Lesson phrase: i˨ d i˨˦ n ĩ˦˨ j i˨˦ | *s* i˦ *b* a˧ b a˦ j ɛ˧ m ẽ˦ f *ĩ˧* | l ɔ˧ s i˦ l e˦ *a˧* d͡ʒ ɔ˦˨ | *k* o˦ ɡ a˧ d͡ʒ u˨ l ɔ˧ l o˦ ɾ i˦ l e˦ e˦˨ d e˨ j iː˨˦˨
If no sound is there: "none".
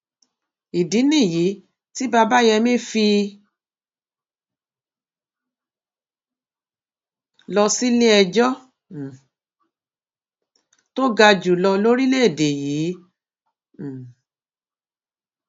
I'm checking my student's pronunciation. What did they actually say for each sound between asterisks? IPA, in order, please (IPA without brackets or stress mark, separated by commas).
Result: t, b, i˧, ɛ˧, t